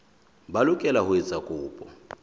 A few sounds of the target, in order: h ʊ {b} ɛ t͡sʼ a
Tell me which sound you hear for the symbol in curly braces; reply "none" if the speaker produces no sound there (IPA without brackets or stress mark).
none